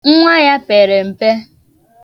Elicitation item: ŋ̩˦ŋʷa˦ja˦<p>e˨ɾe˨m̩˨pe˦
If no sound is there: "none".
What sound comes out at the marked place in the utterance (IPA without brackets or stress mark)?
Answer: p